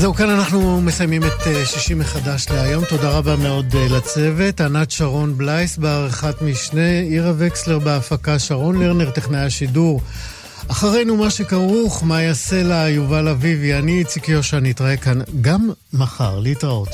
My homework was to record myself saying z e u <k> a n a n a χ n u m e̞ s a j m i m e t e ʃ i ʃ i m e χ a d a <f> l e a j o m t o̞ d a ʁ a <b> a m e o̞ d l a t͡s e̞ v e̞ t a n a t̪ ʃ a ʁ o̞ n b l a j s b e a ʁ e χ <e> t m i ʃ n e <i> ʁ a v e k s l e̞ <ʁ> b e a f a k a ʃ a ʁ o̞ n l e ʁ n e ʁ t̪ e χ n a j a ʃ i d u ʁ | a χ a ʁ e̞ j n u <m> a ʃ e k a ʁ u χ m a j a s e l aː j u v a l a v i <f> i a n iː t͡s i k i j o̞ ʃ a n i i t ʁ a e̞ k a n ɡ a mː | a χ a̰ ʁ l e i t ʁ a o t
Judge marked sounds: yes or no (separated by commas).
yes, no, yes, no, yes, yes, yes, no